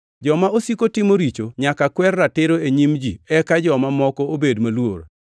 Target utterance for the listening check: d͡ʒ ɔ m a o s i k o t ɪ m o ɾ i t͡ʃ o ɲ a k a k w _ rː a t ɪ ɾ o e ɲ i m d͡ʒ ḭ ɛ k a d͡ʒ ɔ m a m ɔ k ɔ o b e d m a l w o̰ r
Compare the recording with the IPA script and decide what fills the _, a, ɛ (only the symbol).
ɛ